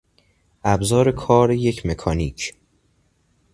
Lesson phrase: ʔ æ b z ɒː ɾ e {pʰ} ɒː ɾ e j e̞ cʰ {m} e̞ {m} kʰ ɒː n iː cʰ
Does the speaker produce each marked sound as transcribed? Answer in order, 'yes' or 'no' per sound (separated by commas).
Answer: no, yes, no